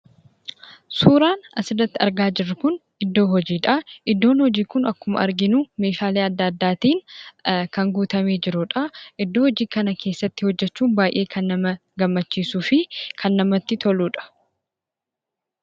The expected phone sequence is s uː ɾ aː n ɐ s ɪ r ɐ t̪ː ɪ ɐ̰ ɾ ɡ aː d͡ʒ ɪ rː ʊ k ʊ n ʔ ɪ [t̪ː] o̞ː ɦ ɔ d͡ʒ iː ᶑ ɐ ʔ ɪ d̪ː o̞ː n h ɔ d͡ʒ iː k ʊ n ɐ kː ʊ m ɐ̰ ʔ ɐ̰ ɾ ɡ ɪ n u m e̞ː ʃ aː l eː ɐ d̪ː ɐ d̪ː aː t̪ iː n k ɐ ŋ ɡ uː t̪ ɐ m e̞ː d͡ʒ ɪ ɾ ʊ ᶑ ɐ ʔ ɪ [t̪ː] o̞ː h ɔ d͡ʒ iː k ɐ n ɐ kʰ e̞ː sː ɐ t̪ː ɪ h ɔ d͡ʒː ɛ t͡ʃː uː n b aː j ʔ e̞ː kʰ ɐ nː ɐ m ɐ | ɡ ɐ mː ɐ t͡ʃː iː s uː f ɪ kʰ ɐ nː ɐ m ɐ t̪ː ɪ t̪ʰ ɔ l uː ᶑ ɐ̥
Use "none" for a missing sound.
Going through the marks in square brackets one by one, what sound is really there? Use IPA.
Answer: d̪ː, d̪ː

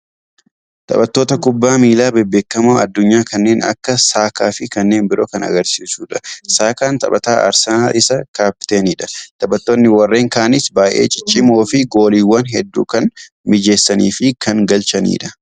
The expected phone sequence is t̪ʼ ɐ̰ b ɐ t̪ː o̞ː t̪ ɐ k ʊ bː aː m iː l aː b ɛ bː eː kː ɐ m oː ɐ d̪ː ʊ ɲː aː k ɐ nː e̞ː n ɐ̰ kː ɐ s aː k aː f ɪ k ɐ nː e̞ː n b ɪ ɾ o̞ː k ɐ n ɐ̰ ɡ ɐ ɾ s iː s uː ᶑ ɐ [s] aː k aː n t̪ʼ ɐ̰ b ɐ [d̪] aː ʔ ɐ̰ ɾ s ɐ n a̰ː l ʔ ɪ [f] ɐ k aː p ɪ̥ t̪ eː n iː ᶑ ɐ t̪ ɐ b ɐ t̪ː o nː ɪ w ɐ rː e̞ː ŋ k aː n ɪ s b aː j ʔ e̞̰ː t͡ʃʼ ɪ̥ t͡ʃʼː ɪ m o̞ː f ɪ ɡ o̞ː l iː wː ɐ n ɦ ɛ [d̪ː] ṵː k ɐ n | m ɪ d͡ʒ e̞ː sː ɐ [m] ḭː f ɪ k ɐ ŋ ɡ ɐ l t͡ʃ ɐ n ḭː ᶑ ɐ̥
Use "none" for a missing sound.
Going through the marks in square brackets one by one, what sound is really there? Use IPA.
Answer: s, t̪, s, d̪ː, n

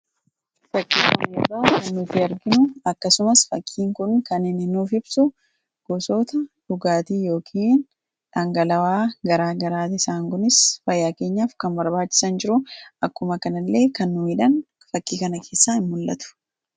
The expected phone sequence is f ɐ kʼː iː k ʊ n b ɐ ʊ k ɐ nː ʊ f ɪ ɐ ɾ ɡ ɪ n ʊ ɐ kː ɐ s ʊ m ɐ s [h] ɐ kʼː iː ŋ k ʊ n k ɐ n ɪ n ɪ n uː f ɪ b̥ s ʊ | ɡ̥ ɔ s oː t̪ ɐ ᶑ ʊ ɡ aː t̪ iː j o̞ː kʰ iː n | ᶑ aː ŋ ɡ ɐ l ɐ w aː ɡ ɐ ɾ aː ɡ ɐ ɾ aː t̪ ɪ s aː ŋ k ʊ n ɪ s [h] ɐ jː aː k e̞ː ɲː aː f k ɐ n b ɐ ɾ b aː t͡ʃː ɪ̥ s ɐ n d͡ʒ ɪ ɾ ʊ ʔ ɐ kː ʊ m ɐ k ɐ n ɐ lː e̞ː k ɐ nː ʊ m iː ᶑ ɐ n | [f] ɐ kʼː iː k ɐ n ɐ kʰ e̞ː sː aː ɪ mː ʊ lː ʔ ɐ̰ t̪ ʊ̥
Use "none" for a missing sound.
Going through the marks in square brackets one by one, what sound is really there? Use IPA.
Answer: f, f, f

